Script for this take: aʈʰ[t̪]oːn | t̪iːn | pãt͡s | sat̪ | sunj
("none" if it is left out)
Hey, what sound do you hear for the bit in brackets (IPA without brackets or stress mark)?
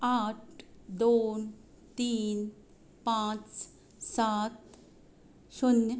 d̪